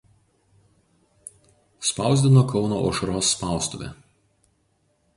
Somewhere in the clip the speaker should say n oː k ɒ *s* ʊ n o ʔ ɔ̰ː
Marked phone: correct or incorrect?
incorrect